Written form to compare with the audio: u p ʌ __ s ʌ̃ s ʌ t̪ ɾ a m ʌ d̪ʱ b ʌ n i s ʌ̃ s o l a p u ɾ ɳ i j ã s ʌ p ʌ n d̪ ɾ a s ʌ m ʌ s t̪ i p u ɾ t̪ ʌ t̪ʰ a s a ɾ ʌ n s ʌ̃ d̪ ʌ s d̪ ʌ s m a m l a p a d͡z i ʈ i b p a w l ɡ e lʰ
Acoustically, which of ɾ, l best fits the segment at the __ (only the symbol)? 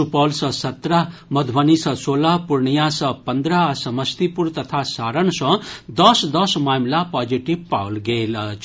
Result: l